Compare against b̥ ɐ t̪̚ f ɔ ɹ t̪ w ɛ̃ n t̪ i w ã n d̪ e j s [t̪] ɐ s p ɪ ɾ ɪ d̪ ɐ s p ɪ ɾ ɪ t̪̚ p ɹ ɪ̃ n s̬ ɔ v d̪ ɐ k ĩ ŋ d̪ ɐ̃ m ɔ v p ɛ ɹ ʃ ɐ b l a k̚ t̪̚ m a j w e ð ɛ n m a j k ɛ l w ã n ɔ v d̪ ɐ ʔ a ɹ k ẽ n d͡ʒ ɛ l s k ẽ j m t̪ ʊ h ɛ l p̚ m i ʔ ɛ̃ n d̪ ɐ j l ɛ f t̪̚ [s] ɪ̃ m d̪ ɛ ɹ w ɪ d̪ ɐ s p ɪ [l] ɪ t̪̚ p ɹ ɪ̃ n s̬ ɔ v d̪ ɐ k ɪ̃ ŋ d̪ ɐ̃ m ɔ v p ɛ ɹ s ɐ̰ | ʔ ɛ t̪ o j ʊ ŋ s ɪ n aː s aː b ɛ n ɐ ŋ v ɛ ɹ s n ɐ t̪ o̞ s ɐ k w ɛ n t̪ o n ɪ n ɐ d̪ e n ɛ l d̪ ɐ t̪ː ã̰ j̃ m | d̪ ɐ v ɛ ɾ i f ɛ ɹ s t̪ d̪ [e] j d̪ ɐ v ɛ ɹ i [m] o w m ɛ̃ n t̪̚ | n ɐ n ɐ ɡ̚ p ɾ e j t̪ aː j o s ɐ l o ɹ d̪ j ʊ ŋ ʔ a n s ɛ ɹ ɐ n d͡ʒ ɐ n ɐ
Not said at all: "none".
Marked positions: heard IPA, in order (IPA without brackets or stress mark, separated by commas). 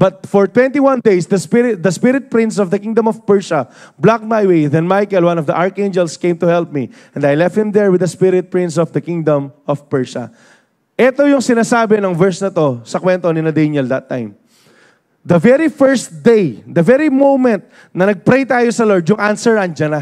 d̪, h, ɾ, e, m